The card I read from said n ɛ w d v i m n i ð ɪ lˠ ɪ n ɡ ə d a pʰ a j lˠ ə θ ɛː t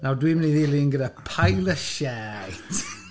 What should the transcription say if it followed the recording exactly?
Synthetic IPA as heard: n a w d w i m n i ð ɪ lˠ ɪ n ɡ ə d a pʰ a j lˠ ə ʃ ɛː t